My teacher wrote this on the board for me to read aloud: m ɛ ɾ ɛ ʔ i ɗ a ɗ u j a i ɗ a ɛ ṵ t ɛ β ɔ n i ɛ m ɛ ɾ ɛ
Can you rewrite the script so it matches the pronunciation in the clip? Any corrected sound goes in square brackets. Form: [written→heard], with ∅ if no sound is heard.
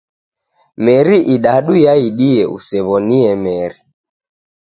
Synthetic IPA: m ɛ ɾ [ɛ→i] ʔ i ɗ a ɗ u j a i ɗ [a→i] ɛ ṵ [t→s] ɛ β ɔ n i ɛ m ɛ ɾ [ɛ→i]